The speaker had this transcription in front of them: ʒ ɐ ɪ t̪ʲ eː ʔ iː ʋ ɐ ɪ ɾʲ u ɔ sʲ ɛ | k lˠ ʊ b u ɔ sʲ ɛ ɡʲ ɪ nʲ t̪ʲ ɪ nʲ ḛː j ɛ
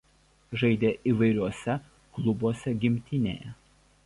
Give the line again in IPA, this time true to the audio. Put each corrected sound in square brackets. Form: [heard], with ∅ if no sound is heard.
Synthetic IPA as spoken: ʒ ɐ ɪ [d̪ʲ] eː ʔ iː ʋ ɐ ɪ ɾʲ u ɔ sʲ ɛ | k lˠ ʊ b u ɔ sʲ ɛ ɡʲ ɪ [mʲ] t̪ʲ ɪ nʲ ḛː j ɛ